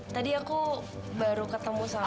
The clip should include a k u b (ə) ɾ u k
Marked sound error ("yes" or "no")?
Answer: yes